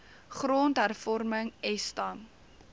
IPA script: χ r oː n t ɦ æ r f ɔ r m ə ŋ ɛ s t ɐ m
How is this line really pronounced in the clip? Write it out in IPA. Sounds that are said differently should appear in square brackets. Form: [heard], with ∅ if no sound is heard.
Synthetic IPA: χ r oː n t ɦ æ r f ɔ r m ə ŋ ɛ s t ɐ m